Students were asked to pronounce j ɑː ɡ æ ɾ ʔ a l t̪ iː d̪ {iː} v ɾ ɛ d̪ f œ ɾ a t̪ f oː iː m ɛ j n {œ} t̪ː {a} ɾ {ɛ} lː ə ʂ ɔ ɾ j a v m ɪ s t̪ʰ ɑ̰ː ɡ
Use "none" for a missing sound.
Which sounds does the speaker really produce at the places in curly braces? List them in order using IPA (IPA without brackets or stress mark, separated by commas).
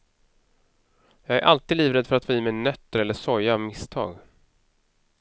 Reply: iː, œ, ə, ɛ